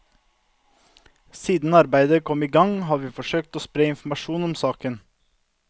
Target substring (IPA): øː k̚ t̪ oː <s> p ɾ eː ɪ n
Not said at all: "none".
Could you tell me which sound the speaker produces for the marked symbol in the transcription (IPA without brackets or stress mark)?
s